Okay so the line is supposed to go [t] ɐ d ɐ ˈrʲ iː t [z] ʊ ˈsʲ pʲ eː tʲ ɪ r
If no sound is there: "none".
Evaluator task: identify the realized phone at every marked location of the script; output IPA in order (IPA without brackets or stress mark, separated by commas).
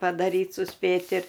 p, s